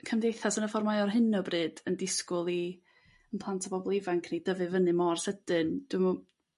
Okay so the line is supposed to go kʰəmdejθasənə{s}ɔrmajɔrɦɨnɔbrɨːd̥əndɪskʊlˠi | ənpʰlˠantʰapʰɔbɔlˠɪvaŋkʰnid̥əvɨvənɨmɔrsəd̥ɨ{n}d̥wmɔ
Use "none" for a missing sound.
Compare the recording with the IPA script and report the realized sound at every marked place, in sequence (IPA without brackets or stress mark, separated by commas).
f, n